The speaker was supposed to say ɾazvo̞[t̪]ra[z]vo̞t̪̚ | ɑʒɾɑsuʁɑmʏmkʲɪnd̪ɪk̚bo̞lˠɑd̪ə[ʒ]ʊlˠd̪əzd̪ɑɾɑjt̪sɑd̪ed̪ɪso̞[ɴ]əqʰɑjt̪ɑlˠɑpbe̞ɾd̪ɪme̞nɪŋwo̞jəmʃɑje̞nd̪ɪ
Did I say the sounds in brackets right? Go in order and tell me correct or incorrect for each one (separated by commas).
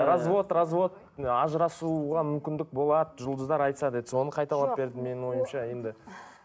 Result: correct, correct, correct, incorrect